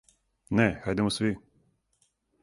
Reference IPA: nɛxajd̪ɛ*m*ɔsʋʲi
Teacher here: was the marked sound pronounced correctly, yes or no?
yes